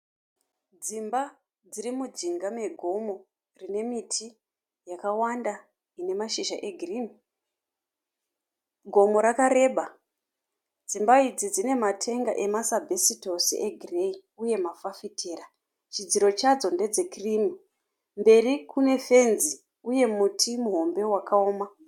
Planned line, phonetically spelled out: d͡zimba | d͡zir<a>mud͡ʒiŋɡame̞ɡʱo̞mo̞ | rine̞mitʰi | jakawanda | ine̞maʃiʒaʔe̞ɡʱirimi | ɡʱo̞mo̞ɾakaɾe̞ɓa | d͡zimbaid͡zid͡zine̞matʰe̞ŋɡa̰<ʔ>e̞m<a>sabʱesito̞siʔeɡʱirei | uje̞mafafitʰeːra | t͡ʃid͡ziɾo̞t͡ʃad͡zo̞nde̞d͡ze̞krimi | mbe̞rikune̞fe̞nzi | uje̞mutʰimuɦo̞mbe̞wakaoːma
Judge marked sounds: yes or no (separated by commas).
no, yes, yes